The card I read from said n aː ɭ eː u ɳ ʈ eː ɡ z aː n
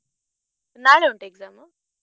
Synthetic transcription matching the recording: n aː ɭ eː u ɳ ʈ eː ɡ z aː m